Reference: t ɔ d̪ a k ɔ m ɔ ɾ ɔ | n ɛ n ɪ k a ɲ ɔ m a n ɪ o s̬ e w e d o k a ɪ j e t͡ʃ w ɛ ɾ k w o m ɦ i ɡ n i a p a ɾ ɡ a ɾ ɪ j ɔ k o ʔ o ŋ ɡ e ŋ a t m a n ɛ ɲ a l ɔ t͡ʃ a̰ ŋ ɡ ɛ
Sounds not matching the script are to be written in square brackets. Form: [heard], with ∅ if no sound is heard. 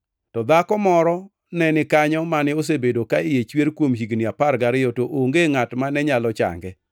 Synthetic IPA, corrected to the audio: t ɔ d̪ a k ɔ m ɔ ɾ ɔ | n ɛ n ɪ k a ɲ ɔ m a n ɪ o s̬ e [b] e d o k a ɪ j e t͡ʃ w [e] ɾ k w o m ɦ i ɡ n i a p a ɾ ɡ a ɾ ɪ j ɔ [t] o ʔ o ŋ ɡ e ŋ a t m a n ɛ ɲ a l ɔ t͡ʃ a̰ ŋ ɡ ɛ